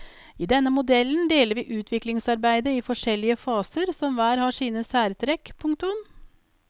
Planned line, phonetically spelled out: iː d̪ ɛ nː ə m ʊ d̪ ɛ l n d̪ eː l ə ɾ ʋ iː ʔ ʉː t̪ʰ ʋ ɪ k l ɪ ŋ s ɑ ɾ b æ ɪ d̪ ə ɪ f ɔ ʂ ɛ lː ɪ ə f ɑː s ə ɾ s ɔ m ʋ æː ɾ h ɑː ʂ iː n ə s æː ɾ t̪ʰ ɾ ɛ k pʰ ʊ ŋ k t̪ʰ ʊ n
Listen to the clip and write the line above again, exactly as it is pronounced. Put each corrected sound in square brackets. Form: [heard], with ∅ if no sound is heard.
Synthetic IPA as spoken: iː d̪ ɛ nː ə m ʊ d̪ ɛ l n d̪ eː l ə ɾ ʋ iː ʔ ʉː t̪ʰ ʋ ɪ k l ɪ ŋ s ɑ ɾ b æ ɪ d̪ ə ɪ f ɔ ʂ ɛ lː ɪ ə f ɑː s ə ɾ s ɔ m ʋ æː ɾ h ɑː ʂ iː n ə s æː ɾ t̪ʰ ɾ ɛ k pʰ ʊ ŋ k [t̪] ʊ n

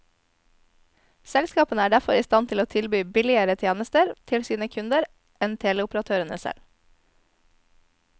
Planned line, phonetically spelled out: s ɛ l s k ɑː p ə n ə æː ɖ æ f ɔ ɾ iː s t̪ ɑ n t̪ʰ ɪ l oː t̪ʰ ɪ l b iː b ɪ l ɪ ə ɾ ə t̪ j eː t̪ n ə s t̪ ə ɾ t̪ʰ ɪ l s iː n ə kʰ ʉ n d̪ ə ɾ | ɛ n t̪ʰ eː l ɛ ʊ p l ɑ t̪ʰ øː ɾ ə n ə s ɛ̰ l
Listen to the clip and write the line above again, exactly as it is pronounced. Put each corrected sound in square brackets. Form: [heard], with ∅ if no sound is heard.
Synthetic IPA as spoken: s ɛ l s k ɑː p ə n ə æː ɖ æ f ɔ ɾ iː s t̪ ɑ n t̪ʰ ɪ l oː t̪ʰ ɪ l b [yː] b ɪ l ɪ ə ɾ ə [t̪ʰ] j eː [∅] n ə s t̪ ə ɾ t̪ʰ ɪ l s iː n ə kʰ ʉ n d̪ ə ɾ | ɛ n t̪ʰ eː l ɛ ʊ p [ɾ] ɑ t̪ʰ øː ɾ ə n ə s ɛ̰ l

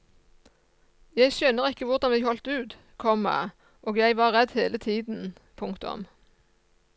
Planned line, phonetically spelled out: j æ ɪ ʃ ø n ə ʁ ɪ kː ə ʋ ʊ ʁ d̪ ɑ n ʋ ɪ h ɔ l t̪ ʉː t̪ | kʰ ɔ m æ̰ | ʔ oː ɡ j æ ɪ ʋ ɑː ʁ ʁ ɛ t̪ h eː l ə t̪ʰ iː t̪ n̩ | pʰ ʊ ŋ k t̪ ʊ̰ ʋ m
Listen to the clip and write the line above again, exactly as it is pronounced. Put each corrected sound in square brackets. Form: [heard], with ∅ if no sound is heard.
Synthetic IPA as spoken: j æ ɪ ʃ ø n ə ʁ ɪ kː ə ʋ ʊ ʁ d̪ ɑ n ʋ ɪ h ɔ l t̪ ʉː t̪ | kʰ ɔ m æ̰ | ʔ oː ɡ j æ ɪ ʋ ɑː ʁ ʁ ɛ [d̪] h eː l ə t̪ʰ iː [d̪] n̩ | pʰ ʊ ŋ k t̪ ʊ̰ [∅] m

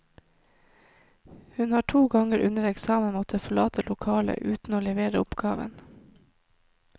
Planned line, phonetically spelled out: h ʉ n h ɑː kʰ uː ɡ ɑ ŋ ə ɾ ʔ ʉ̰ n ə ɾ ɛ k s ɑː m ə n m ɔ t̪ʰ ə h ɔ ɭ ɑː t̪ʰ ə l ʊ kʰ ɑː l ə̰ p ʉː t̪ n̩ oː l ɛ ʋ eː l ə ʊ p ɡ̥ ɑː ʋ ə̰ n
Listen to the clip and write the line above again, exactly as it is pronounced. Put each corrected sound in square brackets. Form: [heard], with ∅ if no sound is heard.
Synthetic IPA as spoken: h ʉ n h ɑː [ʈʰ] uː ɡ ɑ ŋ ə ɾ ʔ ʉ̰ n ə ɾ ɛ k s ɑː m ə n m ɔ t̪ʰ ə [f] ɔ ɭ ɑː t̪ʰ ə l ʊ kʰ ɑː l ə̰ [ʔ] ʉː t̪ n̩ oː l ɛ ʋ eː [ɾ] ə ʊ p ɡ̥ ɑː ʋ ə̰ n

